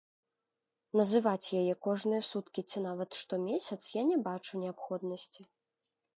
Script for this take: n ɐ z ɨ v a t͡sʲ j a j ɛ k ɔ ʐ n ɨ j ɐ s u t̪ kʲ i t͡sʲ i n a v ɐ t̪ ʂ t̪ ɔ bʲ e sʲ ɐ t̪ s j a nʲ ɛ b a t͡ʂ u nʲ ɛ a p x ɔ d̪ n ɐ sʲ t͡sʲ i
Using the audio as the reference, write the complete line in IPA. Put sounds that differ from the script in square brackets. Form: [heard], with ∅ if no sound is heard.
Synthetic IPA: n ɐ z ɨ v a t͡sʲ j a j ɛ k ɔ ʐ n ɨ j ɐ s u t̪ kʲ i t͡sʲ i n a v ɐ t̪ ʂ t̪ ɔ [mʲ] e sʲ ɐ t̪ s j a nʲ ɛ b a t͡ʂ u nʲ ɛ a p x ɔ d̪ n ɐ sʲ t͡sʲ i